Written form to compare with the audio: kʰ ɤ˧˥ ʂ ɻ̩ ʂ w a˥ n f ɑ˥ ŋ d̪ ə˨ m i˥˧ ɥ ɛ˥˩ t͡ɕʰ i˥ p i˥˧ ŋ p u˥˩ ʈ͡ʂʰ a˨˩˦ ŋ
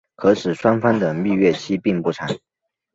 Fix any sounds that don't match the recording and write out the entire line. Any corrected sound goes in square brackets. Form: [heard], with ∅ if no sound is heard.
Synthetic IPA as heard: kʰ ɤ˧˥ ʂ ɻ̩ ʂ w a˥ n f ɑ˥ ŋ d̪ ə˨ m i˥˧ ɥ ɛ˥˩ t͡ɕʰ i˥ p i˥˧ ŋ p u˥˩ ʈ͡ʂʰ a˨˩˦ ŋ